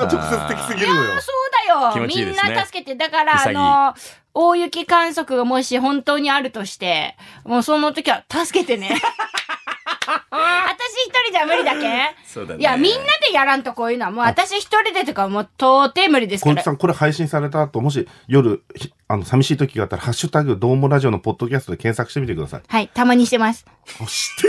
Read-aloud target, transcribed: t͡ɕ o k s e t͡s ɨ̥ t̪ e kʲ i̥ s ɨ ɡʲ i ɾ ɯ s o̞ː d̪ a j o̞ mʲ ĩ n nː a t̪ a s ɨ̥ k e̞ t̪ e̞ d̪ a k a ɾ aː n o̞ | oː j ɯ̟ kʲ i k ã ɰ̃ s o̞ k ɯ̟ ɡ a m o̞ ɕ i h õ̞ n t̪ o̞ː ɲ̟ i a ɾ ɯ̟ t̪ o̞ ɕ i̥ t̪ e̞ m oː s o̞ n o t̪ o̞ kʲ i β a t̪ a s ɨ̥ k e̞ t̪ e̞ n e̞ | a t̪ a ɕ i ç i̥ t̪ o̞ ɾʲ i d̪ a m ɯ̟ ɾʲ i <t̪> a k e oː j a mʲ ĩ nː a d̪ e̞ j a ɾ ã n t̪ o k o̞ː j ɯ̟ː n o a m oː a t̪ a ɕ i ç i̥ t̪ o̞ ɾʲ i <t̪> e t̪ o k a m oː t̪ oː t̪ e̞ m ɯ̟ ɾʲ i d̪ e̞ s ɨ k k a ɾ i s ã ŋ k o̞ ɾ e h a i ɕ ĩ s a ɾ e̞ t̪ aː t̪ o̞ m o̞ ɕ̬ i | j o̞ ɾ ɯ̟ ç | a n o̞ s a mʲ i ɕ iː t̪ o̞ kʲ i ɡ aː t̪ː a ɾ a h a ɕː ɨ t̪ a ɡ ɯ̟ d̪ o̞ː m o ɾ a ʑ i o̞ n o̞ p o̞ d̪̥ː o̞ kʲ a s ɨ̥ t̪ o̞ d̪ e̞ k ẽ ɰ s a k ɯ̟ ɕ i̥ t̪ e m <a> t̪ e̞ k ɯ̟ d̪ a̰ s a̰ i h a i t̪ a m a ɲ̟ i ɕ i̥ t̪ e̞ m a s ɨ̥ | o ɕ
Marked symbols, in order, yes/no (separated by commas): no, no, no